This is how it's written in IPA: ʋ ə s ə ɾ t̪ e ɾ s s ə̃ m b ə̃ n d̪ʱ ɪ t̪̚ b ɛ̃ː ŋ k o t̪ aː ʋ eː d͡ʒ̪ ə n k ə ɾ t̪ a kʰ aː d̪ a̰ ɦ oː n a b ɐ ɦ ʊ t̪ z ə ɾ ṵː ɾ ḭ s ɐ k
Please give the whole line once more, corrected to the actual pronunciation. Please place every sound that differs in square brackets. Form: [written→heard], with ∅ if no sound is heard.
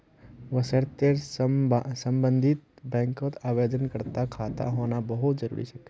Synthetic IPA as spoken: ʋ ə s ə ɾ t̪ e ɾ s s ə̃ m b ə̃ n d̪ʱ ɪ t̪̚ b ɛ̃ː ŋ k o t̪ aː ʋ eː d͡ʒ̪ ə n k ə ɾ t̪ a kʰ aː [d̪→t̪] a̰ ɦ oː n a b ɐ ɦ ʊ t̪ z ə ɾ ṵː ɾ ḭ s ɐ k